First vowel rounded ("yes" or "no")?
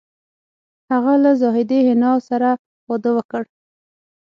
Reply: no